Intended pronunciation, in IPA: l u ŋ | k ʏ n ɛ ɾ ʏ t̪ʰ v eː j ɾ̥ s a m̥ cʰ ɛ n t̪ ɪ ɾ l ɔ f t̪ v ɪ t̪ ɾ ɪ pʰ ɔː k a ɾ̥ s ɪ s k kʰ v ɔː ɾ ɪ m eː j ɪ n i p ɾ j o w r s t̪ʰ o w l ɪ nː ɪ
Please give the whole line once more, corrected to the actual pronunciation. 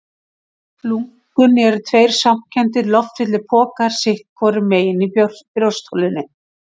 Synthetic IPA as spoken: l u ŋ | k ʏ n ɛ ɾ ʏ t̪ʰ v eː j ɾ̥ s a m̥ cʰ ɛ n t̪ ɪ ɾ l ɔ f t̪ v ɪ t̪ l ɪ pʰ ɔː k a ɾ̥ s ɪ h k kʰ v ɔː ɾ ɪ m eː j ɪ n i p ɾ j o w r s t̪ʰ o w l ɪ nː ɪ